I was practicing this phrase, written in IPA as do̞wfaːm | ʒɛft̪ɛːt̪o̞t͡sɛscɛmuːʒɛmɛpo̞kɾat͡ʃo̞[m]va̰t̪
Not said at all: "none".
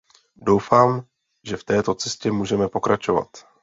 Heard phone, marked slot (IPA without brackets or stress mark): none